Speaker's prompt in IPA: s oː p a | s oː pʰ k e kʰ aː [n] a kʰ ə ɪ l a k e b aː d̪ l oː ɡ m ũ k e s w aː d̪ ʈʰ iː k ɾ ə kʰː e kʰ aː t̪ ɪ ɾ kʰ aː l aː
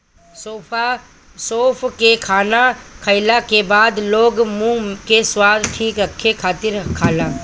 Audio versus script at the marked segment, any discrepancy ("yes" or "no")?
no